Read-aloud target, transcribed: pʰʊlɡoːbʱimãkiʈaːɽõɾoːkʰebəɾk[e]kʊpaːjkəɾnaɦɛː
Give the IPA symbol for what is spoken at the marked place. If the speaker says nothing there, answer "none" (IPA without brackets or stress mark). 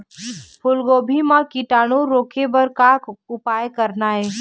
a